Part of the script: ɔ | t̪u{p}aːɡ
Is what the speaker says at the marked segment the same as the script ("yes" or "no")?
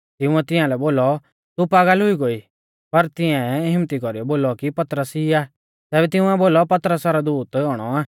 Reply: yes